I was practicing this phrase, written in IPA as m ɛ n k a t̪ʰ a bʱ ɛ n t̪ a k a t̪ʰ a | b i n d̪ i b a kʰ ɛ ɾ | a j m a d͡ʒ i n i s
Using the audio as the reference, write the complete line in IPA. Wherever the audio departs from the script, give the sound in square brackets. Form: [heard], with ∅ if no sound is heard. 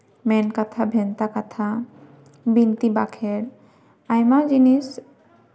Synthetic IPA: m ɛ n k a t̪ʰ a bʱ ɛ n t̪ a k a t̪ʰ a | b i n [t̪] i b a kʰ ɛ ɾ | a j m a d͡ʒ i n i s